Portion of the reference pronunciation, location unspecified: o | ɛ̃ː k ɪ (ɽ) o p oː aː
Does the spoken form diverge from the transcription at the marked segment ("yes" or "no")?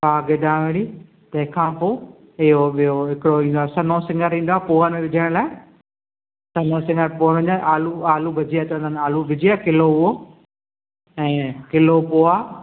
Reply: yes